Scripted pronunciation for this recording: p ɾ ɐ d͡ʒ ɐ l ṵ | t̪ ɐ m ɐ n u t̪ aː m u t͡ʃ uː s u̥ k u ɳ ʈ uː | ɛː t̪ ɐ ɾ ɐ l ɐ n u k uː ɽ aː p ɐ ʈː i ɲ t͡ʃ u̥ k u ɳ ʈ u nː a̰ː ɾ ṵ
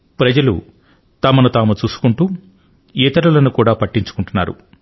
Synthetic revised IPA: p ɾ ɐ d͡ʒ ɐ l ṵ | t̪ ɐ m ɐ n u t̪ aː m u t͡ʃ uː s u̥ k u ɳ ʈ uː | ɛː t̪ ɐ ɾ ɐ l ɐ n u k uː ɽ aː p ɐ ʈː i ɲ t͡ʃ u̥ k u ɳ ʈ u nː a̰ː ɾ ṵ